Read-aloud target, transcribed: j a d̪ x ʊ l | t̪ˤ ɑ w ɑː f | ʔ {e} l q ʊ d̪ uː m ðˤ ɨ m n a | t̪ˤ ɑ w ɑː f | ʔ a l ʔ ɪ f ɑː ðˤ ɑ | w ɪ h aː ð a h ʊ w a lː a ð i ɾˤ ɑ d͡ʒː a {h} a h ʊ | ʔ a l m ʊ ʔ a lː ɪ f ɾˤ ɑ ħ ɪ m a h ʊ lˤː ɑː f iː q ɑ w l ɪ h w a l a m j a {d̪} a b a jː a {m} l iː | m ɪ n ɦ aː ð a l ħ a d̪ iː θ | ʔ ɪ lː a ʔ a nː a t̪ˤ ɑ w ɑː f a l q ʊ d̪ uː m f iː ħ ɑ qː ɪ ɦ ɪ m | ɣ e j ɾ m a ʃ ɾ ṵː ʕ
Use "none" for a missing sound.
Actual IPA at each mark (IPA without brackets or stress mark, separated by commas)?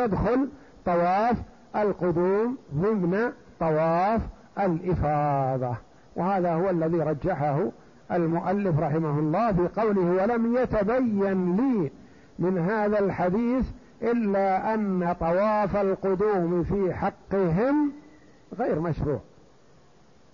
a, ħ, t̪, n